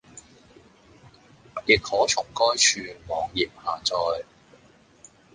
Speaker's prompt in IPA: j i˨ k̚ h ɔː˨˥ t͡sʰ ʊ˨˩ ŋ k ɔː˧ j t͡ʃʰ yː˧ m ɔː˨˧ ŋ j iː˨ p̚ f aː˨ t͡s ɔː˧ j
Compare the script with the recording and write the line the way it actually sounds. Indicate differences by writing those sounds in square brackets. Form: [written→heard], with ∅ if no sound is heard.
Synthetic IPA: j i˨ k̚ h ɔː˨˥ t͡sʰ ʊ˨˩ ŋ k [ɔː˧→ɔː˥] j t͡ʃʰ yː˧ m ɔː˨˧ ŋ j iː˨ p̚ [f→h] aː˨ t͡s ɔː˧ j